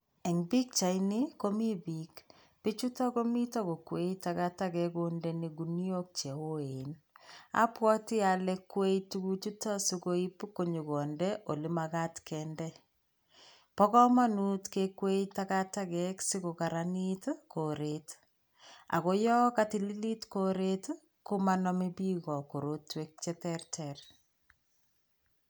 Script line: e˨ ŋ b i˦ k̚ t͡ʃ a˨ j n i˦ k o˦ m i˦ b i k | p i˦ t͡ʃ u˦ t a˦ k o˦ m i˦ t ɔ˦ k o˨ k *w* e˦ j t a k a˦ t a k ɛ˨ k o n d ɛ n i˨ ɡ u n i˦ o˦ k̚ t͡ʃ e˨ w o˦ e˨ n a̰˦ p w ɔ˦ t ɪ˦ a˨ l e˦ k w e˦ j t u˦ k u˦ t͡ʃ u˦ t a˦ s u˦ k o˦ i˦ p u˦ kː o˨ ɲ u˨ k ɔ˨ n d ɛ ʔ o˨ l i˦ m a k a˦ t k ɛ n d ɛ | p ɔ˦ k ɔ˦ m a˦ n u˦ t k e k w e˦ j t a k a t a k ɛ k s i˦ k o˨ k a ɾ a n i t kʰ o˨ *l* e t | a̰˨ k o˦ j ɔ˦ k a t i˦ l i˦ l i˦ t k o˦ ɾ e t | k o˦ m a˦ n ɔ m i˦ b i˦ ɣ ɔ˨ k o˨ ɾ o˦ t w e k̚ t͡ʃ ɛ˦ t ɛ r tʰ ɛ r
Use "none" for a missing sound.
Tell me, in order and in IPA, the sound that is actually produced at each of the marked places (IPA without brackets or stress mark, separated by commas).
w, ɾ